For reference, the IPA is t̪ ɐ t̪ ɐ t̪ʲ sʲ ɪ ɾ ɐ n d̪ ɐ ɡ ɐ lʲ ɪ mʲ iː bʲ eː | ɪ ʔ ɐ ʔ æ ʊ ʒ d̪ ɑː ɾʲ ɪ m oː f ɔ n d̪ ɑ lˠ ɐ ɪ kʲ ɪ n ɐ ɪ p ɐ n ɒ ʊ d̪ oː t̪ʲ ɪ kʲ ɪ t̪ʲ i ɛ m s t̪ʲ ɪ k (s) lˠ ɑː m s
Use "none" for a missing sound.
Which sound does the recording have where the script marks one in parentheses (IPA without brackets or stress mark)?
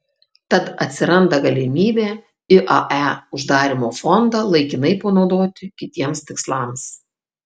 s